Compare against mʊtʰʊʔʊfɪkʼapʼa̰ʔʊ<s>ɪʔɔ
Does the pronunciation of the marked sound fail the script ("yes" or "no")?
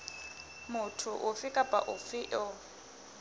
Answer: yes